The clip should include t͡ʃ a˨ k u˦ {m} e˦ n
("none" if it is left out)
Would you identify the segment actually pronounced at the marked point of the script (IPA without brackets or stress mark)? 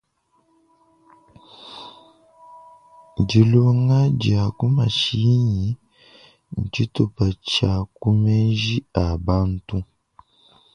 m